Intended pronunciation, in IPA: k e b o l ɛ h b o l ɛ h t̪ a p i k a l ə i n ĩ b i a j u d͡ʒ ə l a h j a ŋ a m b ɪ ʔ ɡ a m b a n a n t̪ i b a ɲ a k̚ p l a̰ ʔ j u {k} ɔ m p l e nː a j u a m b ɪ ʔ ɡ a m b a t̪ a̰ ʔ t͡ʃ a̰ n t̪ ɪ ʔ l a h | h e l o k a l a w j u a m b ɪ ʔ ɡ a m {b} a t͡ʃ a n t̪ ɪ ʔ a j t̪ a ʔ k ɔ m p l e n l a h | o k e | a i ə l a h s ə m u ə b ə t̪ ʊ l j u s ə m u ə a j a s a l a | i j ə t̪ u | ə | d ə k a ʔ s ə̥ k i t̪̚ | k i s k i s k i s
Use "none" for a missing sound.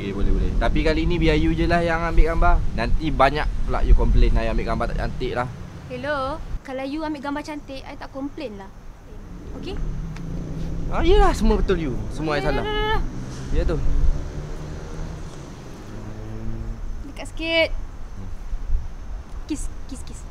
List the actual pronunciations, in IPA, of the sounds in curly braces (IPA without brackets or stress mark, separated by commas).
k, b